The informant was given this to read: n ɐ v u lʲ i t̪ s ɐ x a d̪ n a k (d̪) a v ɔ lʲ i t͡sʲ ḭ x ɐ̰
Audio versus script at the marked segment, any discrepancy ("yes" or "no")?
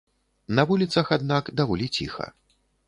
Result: no